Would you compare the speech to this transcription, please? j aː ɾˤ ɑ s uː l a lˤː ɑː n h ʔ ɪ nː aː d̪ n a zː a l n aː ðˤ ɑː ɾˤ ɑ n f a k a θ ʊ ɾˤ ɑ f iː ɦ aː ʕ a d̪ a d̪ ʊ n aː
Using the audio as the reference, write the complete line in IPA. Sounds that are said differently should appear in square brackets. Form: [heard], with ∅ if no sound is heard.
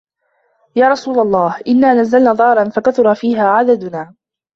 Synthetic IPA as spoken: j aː ɾˤ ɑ s uː l a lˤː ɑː [∅] h ʔ ɪ nː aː [∅] n a zː a l n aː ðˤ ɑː ɾˤ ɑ n f a k a θ ʊ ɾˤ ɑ f iː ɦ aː ʕ a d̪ a d̪ ʊ n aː